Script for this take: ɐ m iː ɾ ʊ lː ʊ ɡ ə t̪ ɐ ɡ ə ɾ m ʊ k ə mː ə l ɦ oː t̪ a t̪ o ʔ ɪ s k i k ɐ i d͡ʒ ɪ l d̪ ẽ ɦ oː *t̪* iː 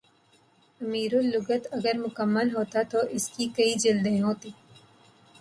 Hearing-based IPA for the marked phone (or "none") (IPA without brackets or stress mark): t̪